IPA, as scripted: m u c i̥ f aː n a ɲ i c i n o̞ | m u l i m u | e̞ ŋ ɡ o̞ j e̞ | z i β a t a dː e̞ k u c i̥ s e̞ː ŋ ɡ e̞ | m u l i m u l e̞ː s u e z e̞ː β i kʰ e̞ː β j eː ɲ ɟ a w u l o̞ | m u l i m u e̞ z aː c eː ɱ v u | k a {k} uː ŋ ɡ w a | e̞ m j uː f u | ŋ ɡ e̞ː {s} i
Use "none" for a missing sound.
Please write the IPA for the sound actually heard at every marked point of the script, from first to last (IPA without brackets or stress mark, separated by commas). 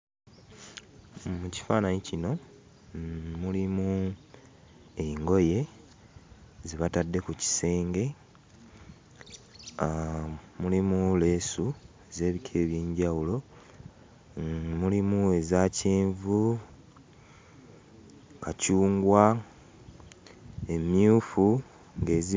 c, z